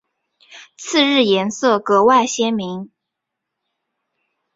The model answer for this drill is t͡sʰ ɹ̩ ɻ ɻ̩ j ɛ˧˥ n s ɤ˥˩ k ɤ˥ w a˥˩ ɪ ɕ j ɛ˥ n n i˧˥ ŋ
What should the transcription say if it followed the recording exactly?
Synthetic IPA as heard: t͡sʰ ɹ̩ ɻ ɻ̩ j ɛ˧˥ n s ɤ˥˩ k ɤ˧˥ w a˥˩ ɪ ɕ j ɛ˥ n m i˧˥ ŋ